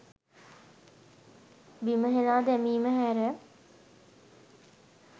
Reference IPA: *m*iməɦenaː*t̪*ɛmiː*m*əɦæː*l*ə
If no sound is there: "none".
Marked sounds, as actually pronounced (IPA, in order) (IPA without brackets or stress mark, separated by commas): b, d̪, m, ɾ